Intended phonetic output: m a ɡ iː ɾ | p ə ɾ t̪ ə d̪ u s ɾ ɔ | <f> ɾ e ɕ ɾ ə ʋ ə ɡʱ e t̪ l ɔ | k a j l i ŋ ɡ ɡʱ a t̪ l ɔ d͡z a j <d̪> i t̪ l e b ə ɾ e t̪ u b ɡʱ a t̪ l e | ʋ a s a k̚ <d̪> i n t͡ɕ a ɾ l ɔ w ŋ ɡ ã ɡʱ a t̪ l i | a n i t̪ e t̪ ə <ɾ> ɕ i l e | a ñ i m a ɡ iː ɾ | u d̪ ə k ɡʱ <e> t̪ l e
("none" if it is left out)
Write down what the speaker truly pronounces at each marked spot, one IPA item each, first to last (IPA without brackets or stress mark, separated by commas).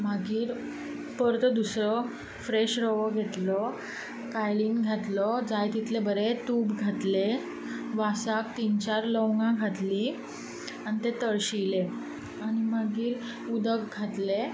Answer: f, t̪, t̪, ɭ, a